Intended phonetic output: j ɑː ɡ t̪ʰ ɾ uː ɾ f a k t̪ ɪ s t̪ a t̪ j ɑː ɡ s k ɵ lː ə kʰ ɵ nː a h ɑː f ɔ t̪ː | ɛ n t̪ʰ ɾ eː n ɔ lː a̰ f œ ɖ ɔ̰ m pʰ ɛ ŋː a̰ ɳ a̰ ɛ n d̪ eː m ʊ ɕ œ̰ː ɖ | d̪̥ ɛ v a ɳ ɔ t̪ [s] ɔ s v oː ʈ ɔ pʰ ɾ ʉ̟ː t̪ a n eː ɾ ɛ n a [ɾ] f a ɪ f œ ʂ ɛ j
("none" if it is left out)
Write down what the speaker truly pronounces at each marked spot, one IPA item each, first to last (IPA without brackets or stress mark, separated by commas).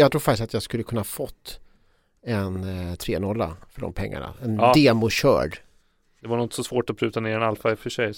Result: s, l